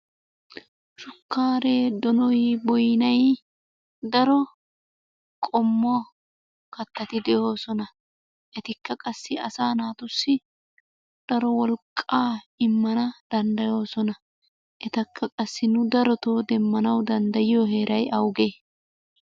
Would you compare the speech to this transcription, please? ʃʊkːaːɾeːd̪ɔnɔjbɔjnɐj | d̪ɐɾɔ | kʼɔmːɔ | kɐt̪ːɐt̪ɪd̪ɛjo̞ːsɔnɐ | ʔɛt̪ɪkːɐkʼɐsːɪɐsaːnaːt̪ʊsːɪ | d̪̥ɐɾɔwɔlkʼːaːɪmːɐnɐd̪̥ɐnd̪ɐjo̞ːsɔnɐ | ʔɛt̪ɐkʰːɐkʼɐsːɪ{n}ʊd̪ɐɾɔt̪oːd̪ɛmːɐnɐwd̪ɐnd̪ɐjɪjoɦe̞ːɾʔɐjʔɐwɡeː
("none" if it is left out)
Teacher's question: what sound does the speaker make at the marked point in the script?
n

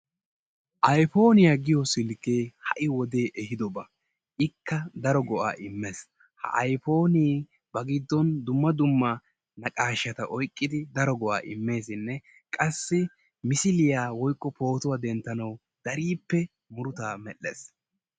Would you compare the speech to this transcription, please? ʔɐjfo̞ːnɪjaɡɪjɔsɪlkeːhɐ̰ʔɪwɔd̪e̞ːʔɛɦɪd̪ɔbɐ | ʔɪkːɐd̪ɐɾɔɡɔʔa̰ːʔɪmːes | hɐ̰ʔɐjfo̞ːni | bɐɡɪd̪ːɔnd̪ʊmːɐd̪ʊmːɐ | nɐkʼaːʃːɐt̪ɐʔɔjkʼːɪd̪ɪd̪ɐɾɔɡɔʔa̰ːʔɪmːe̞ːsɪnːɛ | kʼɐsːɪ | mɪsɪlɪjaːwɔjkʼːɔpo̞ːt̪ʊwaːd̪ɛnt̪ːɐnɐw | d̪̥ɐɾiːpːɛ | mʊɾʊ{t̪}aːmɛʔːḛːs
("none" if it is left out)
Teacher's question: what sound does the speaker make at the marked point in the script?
t̪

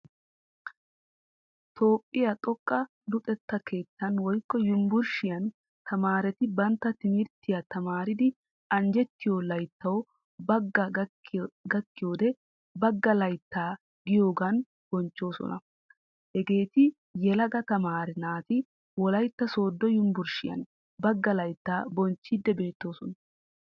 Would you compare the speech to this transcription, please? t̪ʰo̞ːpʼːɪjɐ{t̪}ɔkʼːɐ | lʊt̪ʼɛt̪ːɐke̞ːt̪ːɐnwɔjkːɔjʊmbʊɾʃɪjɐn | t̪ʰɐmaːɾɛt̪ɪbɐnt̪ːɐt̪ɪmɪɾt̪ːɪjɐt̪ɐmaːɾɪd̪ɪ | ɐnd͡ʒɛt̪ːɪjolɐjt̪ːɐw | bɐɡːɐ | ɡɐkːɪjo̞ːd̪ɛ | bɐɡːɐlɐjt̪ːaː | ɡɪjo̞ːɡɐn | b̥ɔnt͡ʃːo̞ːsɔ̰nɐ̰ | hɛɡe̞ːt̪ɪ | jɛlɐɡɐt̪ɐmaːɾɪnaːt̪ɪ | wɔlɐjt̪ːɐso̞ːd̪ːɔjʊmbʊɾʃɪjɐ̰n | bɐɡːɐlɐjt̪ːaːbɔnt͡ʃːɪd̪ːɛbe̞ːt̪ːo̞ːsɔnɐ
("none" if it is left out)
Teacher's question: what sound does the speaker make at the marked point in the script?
t̪ʼ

